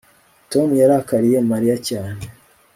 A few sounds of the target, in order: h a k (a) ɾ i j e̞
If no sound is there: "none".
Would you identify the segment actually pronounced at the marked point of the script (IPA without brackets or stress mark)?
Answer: a